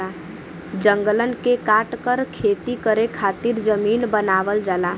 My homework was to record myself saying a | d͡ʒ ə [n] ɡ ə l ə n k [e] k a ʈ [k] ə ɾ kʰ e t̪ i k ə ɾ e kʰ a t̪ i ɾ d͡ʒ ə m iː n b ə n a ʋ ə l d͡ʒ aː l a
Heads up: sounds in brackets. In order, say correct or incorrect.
incorrect: ŋ, correct, correct

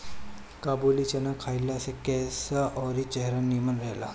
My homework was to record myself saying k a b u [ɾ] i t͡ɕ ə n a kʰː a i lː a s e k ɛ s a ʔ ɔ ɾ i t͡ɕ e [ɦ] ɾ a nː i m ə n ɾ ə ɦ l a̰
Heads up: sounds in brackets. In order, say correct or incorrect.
incorrect: l, correct

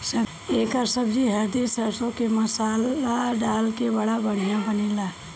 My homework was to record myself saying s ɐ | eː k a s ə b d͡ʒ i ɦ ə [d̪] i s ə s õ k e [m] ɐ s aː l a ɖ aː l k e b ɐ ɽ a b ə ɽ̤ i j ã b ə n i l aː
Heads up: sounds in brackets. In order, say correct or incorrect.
correct, correct

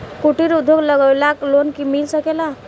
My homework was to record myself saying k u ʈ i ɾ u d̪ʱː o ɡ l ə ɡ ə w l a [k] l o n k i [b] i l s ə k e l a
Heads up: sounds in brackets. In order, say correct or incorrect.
correct, incorrect: m

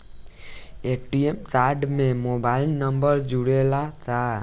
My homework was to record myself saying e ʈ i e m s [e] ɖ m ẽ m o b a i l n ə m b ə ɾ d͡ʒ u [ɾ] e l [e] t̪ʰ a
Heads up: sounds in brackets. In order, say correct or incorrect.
incorrect: a, incorrect: ɽ, incorrect: a

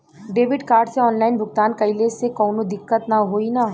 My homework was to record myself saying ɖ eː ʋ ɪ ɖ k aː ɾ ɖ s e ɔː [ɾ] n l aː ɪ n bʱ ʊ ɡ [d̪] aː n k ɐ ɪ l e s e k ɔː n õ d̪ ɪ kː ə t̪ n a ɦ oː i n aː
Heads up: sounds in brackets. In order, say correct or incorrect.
incorrect: none, incorrect: t̪

